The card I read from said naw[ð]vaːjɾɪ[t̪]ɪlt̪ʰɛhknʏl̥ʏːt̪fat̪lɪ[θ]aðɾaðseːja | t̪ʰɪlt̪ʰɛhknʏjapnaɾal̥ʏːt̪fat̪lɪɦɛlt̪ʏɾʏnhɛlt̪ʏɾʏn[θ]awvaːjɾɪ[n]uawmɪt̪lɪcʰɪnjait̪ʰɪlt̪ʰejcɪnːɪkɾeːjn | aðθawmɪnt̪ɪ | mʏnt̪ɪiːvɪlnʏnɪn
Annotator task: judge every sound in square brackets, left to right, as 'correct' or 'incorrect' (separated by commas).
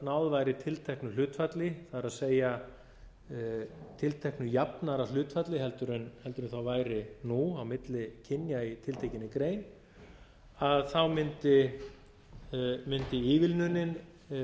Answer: correct, incorrect, correct, correct, correct